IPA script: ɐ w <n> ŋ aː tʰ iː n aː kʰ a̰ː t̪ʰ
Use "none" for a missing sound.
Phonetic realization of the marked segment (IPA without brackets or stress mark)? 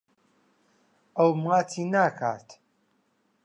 m